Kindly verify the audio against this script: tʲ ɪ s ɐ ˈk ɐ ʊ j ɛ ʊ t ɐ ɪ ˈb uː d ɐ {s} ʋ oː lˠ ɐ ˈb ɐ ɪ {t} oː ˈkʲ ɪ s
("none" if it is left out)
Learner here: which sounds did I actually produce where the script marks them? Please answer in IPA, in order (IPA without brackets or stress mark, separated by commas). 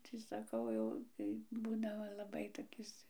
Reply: none, t